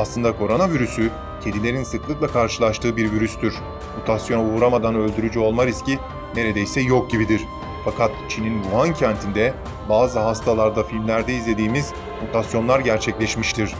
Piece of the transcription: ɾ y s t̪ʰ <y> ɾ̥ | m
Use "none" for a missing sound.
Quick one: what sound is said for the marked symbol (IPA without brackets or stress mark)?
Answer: y